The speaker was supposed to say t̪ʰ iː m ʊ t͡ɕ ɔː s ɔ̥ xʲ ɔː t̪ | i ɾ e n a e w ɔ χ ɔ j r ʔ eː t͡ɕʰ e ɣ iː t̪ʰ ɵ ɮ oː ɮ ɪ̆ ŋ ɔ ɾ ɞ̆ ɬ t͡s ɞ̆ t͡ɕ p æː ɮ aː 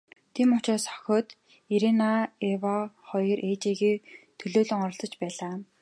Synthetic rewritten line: t̪ʰ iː m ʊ t͡ɕ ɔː s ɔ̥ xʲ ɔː t̪ | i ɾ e n a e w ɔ χ ɔ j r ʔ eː t͡ɕ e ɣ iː t̪ʰ ɵ ɮ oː ɮ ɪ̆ ŋ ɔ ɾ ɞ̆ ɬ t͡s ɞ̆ t͡ɕ p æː ɮ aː